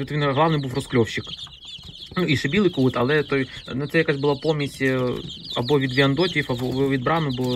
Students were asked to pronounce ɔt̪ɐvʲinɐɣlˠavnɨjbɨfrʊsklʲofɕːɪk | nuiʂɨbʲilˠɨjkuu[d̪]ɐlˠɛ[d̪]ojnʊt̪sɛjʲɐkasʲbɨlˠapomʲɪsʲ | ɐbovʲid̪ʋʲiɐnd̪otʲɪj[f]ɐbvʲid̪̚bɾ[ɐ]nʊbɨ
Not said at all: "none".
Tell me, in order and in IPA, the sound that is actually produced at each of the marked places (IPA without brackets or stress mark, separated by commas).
t̪, t̪, f, a